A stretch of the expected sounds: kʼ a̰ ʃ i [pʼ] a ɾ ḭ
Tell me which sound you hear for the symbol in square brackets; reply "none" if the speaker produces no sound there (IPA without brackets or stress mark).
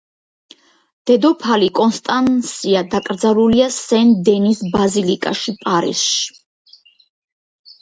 pʼ